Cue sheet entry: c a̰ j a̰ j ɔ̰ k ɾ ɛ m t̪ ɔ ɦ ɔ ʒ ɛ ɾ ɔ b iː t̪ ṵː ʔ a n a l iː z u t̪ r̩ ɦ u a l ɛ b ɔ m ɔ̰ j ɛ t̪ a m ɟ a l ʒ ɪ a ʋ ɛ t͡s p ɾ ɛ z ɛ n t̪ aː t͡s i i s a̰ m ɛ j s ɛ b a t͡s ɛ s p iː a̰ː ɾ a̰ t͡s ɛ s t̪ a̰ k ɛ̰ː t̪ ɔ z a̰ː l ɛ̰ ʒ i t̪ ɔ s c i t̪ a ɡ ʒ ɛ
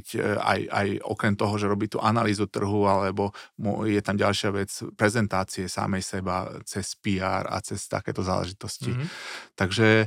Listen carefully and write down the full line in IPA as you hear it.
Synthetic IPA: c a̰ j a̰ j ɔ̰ k ɾ ɛ m t̪ ɔ ɦ ɔ ʒ ɛ ɾ ɔ b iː t̪ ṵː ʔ a n a l iː z u t̪ r̩ ɦ u a l ɛ b ɔ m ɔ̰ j ɛ t̪ a m ɟ a l ʃ ɪ a ʋ ɛ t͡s p ɾ ɛ z ɛ n t̪ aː t͡s i ɛ s a̰ m ɛ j s ɛ b a t͡s ɛ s p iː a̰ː ɾ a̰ t͡s ɛ s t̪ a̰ k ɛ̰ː t̪ ɔ z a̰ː l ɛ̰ ʒ i t̪ ɔ s c i t̪ a ɡ ʒ ɛ